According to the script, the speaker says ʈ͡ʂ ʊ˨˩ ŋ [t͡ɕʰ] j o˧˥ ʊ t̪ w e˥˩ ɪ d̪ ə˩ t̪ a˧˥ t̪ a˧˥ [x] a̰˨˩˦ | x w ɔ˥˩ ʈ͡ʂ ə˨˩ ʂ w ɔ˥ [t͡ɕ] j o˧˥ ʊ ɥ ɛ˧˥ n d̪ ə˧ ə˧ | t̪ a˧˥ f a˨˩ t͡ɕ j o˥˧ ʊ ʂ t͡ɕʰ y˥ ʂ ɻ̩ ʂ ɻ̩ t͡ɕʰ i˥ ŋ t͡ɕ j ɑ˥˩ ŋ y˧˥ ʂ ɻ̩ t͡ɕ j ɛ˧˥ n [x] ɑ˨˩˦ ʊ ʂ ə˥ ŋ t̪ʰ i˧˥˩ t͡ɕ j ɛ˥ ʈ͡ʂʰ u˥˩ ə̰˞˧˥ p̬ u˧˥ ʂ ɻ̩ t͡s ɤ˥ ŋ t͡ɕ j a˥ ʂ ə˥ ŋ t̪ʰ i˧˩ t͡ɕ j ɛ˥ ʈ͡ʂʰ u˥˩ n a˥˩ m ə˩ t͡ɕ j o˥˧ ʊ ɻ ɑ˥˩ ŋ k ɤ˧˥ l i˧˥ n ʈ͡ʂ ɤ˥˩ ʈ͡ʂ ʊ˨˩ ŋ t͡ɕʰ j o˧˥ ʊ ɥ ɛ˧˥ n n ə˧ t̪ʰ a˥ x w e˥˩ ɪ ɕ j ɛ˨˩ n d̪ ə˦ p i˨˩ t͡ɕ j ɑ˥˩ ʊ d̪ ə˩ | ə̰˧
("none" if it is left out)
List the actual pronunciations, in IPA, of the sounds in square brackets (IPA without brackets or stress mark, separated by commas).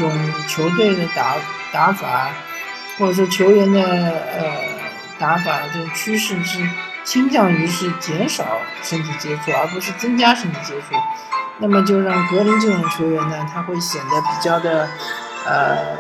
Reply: t͡ɕʰ, f, t͡ɕʰ, ʂ